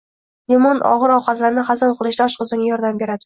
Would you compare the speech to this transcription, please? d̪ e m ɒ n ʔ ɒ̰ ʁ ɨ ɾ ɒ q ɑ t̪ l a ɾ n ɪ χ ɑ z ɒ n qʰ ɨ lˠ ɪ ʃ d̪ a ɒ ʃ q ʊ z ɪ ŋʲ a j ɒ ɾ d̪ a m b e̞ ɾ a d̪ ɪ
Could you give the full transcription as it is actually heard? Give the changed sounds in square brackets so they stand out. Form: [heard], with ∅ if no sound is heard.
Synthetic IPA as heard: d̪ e m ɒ n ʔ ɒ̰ ʁ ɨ ɾ ɒ q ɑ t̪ l a ɾ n ɪ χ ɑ z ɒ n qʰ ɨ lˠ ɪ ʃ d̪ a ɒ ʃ q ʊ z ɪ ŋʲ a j ɒ ɾ d̪ a m b e̞ ɾ a d̪ ɪ